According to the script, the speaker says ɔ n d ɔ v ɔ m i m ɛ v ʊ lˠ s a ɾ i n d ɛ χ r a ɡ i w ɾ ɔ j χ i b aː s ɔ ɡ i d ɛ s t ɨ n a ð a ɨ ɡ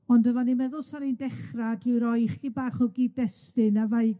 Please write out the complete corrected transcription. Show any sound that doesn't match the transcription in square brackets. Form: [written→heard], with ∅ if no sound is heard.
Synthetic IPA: ɔ n d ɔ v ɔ [m→n] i m ɛ [v→ð] ʊ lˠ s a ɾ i n d ɛ χ r a ɡ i w ɾ ɔ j χ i b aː [s→χ] ɔ ɡ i d ɛ s t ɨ n a [ð→v] a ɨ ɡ